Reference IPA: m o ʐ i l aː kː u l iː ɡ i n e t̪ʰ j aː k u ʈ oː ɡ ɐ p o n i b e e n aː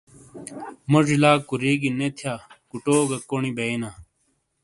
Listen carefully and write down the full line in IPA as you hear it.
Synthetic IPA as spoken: m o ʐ i l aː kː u ɾ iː ɡ i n e t̪ʰ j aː k u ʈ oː ɡ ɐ k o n i b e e n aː